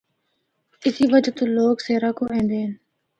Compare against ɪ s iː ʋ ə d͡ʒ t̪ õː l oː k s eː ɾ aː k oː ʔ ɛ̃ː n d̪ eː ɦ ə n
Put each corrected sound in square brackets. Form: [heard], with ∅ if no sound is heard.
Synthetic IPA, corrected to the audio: ɪ s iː ʋ ə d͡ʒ t̪ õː l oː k s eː ɾ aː k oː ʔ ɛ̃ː n d̪ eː ɦ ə n

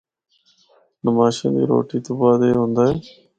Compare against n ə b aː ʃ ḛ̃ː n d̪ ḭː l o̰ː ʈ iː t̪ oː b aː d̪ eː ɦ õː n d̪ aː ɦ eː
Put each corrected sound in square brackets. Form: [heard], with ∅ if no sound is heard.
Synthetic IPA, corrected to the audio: n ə [m] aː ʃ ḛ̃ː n d̪ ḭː [ɾ] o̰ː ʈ iː t̪ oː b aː d̪ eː ɦ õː n d̪ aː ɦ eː

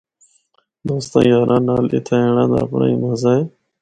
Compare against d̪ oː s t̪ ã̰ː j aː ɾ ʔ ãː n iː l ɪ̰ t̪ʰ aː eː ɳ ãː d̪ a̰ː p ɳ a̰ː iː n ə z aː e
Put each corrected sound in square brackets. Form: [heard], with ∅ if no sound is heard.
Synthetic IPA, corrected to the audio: d̪ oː s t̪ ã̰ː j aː ɾ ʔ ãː n [aː] l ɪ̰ t̪ʰ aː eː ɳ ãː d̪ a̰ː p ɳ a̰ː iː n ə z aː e

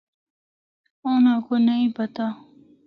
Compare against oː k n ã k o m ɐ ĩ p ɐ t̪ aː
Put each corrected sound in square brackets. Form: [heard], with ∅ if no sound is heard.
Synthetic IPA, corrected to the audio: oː [∅] n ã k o [n] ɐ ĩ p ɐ t̪ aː

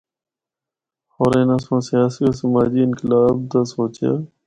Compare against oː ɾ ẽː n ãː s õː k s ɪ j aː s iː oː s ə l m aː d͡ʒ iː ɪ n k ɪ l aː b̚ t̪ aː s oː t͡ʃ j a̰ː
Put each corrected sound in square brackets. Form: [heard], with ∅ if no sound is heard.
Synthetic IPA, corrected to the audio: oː ɾ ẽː n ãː s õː [∅] s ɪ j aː s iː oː s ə [∅] m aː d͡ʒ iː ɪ n k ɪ l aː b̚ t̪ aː s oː t͡ʃ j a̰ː

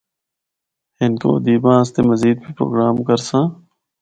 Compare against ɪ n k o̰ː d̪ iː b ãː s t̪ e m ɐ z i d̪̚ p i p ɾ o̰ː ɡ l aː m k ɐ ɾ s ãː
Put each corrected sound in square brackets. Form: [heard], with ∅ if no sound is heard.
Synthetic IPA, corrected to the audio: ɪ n k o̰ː d̪ iː b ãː s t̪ e m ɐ z [iː] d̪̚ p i p ɾ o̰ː ɡ [ɾ] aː m k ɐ ɾ s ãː

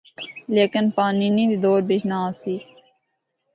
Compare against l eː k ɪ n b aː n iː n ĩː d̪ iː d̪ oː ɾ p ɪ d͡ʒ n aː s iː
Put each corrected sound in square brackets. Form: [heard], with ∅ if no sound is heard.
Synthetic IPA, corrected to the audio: l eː k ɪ n [p] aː n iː n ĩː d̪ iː d̪ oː ɾ [b] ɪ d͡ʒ n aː s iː

